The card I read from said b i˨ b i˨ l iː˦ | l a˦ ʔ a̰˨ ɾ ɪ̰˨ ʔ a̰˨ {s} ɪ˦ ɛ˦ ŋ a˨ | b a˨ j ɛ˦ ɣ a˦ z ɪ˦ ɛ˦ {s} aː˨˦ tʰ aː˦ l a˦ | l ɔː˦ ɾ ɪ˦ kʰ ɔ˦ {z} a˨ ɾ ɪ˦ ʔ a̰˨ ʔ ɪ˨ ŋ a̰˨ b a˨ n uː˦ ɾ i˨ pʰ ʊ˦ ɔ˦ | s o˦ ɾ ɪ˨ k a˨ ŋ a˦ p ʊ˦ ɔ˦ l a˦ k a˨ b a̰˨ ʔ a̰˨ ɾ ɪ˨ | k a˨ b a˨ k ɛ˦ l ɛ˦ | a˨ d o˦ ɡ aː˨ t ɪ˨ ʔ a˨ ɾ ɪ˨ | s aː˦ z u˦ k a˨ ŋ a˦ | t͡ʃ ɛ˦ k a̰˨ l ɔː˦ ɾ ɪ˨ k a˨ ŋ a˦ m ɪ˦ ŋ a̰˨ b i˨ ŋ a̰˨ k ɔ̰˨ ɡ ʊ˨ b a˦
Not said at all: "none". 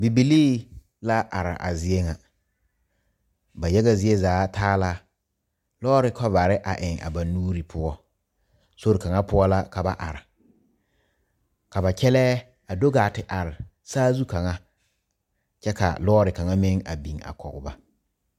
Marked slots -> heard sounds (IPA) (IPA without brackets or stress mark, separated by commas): z, z, v